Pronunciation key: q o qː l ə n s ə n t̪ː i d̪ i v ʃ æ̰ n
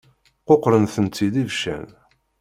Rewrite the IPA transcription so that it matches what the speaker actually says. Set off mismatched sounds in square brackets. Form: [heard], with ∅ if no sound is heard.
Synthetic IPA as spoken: q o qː [ɾ] ə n [θ] ə n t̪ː i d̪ i v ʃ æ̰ n